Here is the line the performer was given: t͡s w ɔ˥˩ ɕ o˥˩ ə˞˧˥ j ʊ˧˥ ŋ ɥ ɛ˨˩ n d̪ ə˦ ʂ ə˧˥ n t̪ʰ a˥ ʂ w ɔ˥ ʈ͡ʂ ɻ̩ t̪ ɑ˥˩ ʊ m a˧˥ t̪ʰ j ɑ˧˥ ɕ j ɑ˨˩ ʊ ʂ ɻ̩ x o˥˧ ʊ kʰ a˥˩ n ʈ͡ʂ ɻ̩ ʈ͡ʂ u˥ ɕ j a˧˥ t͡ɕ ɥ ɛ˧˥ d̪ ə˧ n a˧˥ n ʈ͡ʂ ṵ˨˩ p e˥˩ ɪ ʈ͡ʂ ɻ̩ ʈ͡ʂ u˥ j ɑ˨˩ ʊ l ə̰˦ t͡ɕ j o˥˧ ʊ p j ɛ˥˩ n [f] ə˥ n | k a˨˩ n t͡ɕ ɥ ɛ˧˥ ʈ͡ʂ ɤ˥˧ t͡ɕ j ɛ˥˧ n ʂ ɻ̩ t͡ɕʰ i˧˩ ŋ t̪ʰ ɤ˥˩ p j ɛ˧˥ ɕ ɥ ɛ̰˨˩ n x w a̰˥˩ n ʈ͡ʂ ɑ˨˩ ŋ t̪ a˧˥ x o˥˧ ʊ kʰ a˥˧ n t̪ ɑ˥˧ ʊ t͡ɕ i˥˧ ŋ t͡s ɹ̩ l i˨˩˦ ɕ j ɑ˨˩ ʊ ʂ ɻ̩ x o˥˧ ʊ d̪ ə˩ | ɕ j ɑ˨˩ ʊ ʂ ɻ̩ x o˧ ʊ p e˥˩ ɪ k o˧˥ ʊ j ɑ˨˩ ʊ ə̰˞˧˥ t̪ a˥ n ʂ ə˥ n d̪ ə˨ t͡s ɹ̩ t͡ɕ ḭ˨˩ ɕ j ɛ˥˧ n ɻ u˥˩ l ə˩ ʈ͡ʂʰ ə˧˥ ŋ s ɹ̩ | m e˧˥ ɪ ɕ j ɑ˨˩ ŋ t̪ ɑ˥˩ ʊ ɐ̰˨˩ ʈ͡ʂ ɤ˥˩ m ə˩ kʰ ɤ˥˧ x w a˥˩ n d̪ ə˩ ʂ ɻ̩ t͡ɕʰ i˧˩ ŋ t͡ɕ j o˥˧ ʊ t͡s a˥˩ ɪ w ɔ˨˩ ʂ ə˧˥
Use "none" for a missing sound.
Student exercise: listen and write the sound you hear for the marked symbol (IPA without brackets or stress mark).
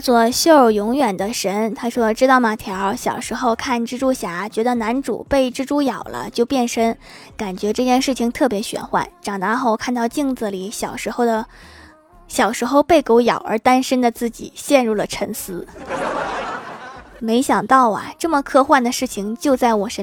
ʂ